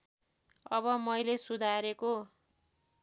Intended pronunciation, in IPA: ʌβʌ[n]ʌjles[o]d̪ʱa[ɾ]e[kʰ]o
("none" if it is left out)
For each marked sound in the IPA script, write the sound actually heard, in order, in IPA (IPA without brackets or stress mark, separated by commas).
m, u, ɾ, k